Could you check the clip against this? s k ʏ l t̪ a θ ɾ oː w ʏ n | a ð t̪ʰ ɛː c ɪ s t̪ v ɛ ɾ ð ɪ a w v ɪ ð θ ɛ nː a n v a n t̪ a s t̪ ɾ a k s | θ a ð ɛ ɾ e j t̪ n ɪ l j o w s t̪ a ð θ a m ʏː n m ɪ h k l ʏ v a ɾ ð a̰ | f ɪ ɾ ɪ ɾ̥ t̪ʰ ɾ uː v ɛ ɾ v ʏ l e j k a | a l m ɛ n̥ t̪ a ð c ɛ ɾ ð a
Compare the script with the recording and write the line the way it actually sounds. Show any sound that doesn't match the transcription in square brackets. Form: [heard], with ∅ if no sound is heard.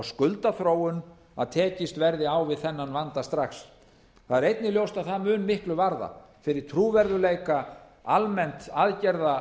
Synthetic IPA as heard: s k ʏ l t̪ a θ ɾ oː w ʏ n | a ð t̪ʰ ɛː c ɪ s t̪ v ɛ ɾ ð ɪ a w v ɪ ð θ ɛ nː a n v a n t̪ a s t̪ ɾ a [x] s | θ a ð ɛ ɾ e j t̪ n ɪ l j o w s t̪ a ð θ a m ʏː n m ɪ h k l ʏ v a ɾ ð a̰ | f ɪ ɾ ɪ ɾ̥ t̪ʰ ɾ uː v ɛ ɾ [ð] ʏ l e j k a | a l m ɛ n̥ t̪ a ð c ɛ ɾ ð a

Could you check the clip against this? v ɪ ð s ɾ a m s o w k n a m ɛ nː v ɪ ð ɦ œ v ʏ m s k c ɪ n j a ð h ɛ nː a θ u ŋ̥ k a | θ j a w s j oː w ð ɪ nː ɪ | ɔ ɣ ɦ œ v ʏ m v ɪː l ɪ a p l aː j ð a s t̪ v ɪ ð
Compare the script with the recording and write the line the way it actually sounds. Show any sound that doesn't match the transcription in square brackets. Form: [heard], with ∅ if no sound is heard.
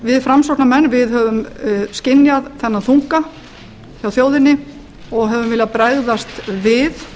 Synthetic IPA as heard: v ɪ ð [f] ɾ a m s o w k n a m ɛ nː v ɪ ð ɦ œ v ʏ m s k c ɪ n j a ð [θ] ɛ nː a θ u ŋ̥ k a | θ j a w [θ] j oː w ð ɪ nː ɪ | ɔ ɣ ɦ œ v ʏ m v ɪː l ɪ a p [ɾ] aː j ð a s t̪ v ɪ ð

